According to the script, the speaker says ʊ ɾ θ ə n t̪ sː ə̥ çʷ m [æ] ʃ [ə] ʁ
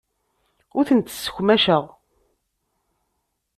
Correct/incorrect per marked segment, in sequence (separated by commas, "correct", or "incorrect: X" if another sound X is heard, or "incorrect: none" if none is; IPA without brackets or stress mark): correct, correct